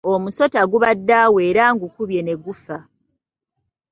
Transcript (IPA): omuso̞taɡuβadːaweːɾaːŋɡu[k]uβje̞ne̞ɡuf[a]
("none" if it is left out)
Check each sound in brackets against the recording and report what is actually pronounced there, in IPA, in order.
k, a

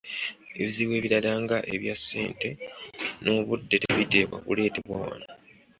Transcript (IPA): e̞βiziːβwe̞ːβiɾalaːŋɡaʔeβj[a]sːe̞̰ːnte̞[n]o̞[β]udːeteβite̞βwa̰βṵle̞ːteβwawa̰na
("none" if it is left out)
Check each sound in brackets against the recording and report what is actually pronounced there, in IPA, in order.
a, n, β

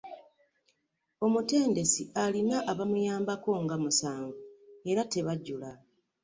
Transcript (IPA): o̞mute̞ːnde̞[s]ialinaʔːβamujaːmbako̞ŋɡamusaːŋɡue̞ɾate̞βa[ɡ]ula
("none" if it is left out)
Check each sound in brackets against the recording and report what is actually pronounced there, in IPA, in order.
s, ɟ

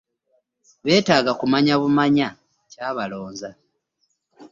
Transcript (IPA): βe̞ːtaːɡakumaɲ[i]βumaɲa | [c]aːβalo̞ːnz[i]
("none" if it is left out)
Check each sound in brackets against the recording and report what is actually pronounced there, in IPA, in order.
a, c, a

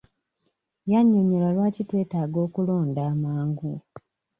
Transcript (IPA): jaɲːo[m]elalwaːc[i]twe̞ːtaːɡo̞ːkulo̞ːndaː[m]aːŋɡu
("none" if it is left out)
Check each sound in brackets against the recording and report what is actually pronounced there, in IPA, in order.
ɲ, i, m

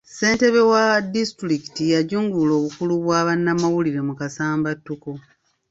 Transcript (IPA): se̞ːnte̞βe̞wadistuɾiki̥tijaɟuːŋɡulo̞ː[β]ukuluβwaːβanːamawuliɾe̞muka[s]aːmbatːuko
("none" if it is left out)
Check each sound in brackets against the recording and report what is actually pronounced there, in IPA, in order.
β, s

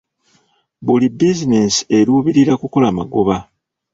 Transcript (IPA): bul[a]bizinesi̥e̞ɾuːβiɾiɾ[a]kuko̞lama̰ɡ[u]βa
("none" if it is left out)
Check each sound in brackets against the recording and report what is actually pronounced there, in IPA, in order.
i, a, o

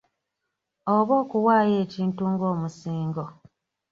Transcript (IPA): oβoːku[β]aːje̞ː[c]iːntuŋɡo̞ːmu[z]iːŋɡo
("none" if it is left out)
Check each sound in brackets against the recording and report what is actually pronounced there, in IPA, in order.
w, c, s

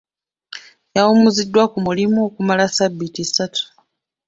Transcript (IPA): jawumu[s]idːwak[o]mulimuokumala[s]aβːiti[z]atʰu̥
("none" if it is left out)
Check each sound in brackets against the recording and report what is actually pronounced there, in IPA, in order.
z, u, s, s

